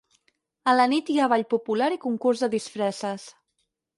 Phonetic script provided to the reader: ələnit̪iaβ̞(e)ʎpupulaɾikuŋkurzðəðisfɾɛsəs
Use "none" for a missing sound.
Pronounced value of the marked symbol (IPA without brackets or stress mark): a